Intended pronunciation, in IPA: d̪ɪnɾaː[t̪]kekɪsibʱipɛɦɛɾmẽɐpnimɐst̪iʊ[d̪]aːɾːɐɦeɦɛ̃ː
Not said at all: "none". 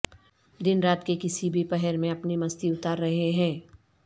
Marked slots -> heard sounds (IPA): t̪, t̪

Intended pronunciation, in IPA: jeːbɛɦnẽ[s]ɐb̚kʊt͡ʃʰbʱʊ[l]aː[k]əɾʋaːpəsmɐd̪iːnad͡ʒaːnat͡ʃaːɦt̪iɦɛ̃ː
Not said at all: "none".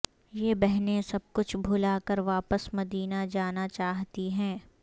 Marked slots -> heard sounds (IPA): s, l, k

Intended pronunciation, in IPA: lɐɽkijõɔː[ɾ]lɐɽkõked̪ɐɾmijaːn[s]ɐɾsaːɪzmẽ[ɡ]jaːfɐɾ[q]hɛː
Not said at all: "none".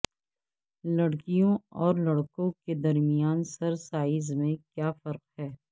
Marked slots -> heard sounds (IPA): ɾ, s, k, q

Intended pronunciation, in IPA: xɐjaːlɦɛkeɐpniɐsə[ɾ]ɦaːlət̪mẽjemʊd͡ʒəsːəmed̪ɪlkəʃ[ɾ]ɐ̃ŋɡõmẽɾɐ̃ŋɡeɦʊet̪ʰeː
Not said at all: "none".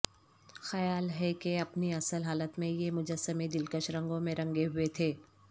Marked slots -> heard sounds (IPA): l, ɾ

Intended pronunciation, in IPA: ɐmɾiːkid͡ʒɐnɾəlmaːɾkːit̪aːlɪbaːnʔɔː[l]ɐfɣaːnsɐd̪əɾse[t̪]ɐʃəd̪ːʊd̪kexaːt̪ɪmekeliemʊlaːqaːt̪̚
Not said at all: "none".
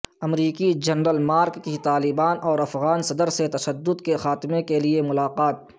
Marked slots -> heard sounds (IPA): ɾ, t̪

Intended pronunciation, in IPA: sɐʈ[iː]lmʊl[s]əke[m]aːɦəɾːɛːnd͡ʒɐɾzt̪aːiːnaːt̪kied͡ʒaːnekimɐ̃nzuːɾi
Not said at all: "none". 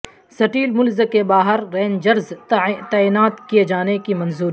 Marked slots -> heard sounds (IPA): iː, z, b

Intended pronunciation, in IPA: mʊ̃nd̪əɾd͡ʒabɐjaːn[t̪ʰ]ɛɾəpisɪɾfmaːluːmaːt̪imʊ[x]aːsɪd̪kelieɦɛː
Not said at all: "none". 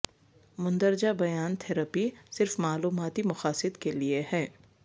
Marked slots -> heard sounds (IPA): t̪ʰ, x

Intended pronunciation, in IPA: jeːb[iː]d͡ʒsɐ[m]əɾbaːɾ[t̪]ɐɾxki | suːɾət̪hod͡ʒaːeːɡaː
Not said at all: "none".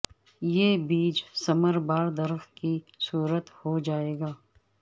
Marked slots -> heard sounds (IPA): iː, m, d̪

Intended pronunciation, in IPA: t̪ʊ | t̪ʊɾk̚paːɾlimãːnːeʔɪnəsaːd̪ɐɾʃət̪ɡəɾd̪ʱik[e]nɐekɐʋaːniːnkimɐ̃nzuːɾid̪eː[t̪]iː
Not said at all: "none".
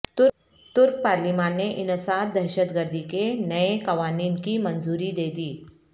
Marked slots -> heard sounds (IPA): e, d̪

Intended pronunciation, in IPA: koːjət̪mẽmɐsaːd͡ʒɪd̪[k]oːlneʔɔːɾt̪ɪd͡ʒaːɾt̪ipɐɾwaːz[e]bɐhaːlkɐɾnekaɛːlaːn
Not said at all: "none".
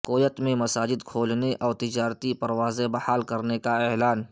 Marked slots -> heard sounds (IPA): kʰ, e

